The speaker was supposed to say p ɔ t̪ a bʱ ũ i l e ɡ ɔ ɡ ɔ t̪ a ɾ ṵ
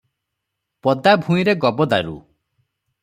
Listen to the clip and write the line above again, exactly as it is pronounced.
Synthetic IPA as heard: p ɔ d̪ a bʱ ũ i ɾ e ɡ ɔ b ɔ d̪ a ɾ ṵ